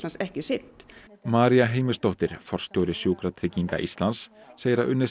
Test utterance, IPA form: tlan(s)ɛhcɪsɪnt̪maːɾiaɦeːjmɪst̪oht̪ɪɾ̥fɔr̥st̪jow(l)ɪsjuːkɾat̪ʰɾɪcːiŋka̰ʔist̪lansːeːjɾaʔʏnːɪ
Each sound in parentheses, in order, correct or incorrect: correct, incorrect: ɾ

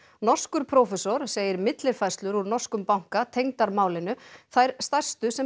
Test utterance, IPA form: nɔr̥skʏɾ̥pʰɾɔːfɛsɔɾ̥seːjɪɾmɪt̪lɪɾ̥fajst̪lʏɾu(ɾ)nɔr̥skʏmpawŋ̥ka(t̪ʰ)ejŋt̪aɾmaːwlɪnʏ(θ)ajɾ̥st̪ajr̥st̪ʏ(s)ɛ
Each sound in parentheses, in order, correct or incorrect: correct, correct, correct, correct

